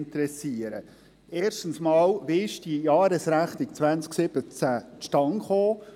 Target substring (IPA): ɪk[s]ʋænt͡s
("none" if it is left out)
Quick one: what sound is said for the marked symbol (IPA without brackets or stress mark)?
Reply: t͡s